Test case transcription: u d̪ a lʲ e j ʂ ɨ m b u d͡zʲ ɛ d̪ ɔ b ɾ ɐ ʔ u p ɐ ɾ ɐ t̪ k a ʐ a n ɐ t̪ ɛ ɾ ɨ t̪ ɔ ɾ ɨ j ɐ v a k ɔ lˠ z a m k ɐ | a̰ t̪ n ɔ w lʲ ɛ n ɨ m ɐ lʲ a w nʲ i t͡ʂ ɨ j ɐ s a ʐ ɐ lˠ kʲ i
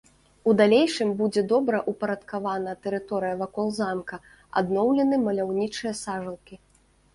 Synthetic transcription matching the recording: u d̪ a lʲ e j ʂ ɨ m b u d͡zʲ ɛ d̪ ɔ b ɾ ɐ ʔ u p ɐ ɾ ɐ t̪ k a v a n ɐ t̪ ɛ ɾ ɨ t̪ ɔ ɾ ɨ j ɐ v a k ɔ lˠ z a m k ɐ | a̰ d̪ n ɔ w lʲ ɛ n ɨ m ɐ lʲ a w nʲ i t͡ʂ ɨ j ɐ s a ʐ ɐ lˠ kʲ i

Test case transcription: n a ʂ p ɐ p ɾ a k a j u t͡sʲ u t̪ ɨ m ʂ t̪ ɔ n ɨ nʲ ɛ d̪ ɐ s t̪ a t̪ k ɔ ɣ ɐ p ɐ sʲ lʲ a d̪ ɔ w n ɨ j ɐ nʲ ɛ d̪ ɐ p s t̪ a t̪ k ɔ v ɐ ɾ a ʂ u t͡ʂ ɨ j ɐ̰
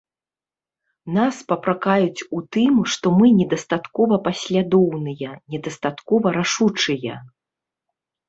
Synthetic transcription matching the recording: n a s p ɐ p ɾ a k a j u t͡sʲ u t̪ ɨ m ʂ t̪ ɔ m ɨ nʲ ɛ d̪ ɐ s t̪ a t̪ k ɔ v ɐ p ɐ sʲ lʲ a d̪ ɔ w n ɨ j ɐ nʲ ɛ d̪ ɐ s t̪ a t̪ k ɔ v ɐ ɾ a ʂ u t͡ʂ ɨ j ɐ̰

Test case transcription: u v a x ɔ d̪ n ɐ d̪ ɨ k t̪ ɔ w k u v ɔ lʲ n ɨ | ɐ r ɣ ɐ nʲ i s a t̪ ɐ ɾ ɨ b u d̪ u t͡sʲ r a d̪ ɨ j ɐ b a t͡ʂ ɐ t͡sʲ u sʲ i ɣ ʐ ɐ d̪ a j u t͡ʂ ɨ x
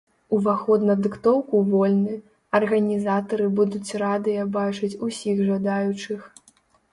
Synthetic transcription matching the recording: u v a x ɔ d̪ n ɐ d̪ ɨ k t̪ ɔ w k u v ɔ lʲ n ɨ | ɐ r ɣ ɐ nʲ i z a t̪ ɐ ɾ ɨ b u d̪ u t͡sʲ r a d̪ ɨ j ɐ b a t͡ʂ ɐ t͡sʲ u sʲ i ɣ ʐ ɐ d̪ a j u t͡ʂ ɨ x

